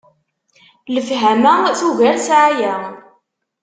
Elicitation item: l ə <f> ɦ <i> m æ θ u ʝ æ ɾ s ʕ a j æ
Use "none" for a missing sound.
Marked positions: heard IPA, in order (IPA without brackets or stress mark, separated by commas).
f, æ